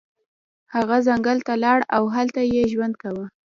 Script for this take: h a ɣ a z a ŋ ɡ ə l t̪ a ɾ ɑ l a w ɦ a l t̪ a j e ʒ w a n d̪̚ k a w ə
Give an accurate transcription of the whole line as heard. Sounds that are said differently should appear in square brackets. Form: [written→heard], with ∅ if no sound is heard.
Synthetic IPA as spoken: h a ɣ a z a ŋ ɡ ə l t̪ a [ɾ→l] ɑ [l→ɽ] a w ɦ a l t̪ a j e ʒ w a n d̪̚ k a w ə